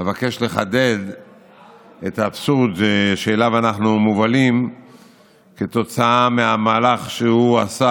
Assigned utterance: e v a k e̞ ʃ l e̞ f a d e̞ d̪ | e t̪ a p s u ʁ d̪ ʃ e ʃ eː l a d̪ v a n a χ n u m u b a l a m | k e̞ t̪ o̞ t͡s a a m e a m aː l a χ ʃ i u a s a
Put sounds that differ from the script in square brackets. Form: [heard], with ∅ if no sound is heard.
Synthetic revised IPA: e v a k e̞ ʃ l e̞ [χ] a d e̞ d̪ | e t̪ a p s u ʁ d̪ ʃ e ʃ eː l a [∅] v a n a χ n u m u [v] a l [i] m | k e̞ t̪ o̞ t͡s a a m e a m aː l a χ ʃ [e] u a s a